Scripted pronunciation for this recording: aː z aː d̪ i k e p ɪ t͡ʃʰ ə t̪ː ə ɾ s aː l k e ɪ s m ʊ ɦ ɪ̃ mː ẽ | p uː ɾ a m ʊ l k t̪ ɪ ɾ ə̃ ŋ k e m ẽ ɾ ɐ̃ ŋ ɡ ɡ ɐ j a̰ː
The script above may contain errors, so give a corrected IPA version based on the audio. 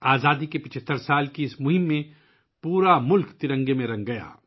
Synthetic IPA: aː z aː d̪ i k e p ɪ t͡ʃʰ ə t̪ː ə ɾ s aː l k i ɪ s m ʊ ɦ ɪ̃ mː ẽ | p uː ɾ a m ʊ l k t̪ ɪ ɾ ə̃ ŋ ɡ e m ẽ ɾ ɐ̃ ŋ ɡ ɡ ɐ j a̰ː